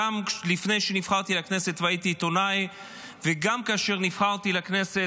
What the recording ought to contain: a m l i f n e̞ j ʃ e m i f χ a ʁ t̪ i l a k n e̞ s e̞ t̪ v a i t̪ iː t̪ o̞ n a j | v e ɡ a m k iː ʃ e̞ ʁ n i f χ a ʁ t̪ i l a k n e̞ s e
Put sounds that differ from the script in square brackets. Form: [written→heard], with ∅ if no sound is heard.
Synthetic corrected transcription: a m l i f n e̞ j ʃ e [m→n] i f χ a ʁ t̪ i l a k n e̞ s e̞ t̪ v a i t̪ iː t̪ o̞ n a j | v e ɡ a m k [iː→aː] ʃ e̞ ʁ n i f χ a ʁ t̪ i l a k n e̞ s e